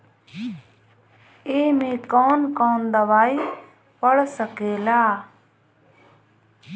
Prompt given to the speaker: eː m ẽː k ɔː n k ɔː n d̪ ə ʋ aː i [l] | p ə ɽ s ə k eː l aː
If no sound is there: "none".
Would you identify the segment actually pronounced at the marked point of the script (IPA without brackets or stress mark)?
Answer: none